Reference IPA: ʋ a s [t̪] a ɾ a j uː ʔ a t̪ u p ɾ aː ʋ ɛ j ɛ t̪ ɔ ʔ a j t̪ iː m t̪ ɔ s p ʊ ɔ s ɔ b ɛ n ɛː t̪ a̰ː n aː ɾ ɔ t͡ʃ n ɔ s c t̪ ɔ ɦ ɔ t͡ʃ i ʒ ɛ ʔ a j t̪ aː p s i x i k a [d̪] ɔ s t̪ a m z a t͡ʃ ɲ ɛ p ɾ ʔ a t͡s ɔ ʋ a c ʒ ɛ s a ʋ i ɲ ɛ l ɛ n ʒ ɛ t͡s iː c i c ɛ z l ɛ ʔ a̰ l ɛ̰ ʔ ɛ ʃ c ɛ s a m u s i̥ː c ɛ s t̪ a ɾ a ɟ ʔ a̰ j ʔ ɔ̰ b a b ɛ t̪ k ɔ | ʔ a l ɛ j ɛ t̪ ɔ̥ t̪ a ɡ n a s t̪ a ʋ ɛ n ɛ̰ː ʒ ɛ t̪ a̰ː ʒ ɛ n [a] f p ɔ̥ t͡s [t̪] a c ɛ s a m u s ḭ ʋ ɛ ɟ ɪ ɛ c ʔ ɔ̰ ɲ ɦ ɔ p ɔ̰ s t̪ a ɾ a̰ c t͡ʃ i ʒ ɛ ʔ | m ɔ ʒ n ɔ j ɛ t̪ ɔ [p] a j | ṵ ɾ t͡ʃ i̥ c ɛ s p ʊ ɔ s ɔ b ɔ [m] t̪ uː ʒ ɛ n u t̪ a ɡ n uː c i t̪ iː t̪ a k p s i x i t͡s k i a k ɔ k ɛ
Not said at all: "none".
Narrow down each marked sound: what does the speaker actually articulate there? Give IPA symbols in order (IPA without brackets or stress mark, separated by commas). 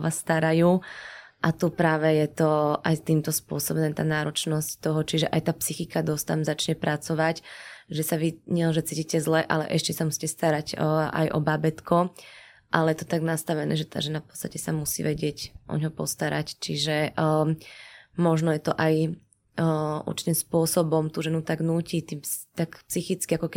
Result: t̪, d̪, a, t̪, ʔ, m